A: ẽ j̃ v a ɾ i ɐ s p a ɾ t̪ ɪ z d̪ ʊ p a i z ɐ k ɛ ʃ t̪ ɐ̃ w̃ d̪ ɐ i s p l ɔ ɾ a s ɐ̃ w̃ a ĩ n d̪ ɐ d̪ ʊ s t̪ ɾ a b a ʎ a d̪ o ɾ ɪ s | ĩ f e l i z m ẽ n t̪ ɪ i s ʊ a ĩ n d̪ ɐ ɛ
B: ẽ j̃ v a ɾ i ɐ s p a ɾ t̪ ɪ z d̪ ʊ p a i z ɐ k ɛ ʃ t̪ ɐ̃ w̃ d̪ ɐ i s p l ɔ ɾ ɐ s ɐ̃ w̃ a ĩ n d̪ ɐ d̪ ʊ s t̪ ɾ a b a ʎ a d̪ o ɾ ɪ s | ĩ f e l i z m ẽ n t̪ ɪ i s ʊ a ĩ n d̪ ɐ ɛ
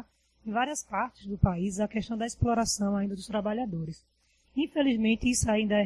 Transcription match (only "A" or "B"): A